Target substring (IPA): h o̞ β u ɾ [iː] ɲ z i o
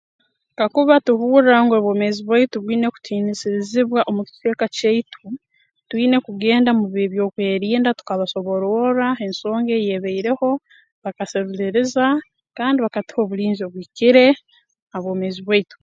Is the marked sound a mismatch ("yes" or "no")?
no